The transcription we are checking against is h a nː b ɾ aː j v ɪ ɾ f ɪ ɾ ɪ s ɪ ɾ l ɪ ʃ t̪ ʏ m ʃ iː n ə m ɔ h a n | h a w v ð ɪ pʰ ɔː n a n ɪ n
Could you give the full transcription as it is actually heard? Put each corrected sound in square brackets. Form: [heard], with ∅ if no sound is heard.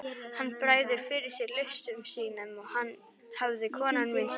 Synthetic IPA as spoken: h a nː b ɾ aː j [ð] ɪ ɾ f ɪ ɾ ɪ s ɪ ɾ l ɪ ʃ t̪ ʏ m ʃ iː n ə m ɔ h a n | h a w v ð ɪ [kʰ] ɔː n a n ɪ n

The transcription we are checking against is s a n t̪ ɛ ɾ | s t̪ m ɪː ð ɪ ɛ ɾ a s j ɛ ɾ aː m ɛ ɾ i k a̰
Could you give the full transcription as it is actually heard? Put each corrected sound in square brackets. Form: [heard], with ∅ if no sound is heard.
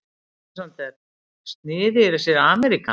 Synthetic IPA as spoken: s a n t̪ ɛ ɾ | s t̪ [n] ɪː ð ɪ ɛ ɾ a s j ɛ ɾ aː m ɛ ɾ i k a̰

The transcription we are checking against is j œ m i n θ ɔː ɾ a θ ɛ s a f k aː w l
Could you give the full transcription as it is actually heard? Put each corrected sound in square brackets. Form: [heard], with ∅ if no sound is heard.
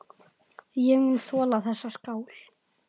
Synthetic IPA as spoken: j [ɛ] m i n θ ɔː [l] a θ ɛ [sː] a [s] k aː w l

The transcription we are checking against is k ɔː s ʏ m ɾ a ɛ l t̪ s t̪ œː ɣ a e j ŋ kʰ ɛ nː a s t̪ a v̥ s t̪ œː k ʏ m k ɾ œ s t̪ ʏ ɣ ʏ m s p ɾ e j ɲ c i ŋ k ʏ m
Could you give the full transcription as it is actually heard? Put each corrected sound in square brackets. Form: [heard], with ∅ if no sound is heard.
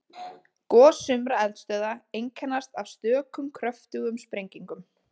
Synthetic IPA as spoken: k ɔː s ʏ m ɾ a ɛ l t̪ s t̪ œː [ð] a e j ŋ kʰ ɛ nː a s t̪ a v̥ s t̪ œː k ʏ m [kʰ] ɾ œ [f] t̪ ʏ ɣ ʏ m s p ɾ e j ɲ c i ŋ k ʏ m

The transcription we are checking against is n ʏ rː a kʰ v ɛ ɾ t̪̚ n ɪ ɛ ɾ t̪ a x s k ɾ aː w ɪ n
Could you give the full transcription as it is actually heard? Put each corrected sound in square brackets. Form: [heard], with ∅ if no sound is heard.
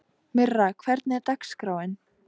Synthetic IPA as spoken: [m] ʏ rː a kʰ v ɛ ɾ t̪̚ n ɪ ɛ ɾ t̪ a [k] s k ɾ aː w ɪ n

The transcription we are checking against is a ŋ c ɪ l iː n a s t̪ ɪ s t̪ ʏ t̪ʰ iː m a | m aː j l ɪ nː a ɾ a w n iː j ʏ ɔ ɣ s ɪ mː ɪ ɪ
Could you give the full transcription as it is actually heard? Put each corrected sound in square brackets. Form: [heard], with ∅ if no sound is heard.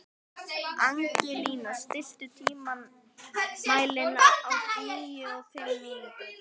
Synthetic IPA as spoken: a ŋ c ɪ l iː n a s t̪ ɪ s t̪ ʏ t̪ʰ iː m a | m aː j l ɪ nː a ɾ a w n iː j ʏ ɔ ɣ [f] ɪ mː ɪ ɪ

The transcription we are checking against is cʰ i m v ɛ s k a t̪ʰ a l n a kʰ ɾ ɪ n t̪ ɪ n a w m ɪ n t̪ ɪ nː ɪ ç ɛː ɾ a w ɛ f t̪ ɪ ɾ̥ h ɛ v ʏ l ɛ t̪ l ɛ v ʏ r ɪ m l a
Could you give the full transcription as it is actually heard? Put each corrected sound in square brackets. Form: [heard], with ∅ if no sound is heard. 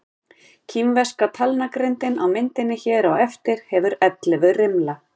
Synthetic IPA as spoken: cʰ i m v ɛ s k a t̪ʰ a l n a [k] ɾ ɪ n t̪ ɪ n a w m ɪ n t̪ ɪ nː ɪ ç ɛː ɾ a w ɛ f t̪ ɪ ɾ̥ h ɛ v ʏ [ɾ] ɛ t̪ l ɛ v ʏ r ɪ m l a

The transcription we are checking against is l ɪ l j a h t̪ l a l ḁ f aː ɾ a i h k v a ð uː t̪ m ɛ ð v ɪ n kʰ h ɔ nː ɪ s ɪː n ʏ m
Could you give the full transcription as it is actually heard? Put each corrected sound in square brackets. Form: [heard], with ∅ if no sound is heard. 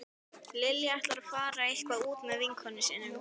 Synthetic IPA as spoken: l ɪ l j a h t̪ l a [ɾ] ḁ f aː ɾ a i h k v a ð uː t̪ m ɛ ð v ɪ [ŋ] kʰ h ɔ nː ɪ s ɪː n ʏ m

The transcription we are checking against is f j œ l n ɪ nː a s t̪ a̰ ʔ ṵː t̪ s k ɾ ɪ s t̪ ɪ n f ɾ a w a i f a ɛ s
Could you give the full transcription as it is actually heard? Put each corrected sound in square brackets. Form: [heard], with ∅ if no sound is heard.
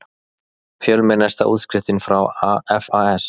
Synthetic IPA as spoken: f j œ l [m] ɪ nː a s t̪ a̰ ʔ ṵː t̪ s k ɾ ɪ [f] t̪ ɪ n f ɾ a w a [ɛ] f a ɛ s

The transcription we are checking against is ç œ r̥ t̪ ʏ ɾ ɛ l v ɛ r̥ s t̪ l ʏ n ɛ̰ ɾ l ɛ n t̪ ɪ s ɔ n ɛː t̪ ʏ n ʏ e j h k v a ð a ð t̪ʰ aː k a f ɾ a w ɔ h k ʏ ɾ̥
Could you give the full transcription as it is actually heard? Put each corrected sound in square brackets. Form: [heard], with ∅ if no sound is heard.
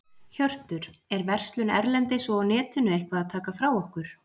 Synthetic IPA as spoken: ç œ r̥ t̪ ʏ ɾ ɛ [ɾ] v ɛ r̥ s t̪ l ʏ n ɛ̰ ɾ l ɛ n t̪ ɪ s ɔ n ɛː t̪ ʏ n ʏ e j h k v a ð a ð t̪ʰ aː k a f ɾ a w ɔ h k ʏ ɾ̥

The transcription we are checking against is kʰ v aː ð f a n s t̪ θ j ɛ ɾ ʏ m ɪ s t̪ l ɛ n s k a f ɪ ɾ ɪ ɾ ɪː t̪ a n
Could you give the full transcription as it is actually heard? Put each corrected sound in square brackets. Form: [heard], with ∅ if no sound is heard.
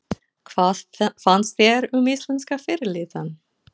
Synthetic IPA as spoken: kʰ v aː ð f a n s t̪ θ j ɛ ɾ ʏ m ɪ s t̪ l ɛ n s k a f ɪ ɾ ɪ [l] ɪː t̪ a n

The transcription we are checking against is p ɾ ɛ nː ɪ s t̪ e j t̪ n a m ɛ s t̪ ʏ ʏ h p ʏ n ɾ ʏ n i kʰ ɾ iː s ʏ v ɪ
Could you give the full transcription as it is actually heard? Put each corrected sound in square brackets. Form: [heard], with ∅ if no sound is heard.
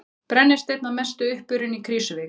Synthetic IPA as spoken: p ɾ ɛ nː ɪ s t̪ e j t̪ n a m ɛ s t̪ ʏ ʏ h p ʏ [∅] ɾ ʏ n i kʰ ɾ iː s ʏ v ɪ

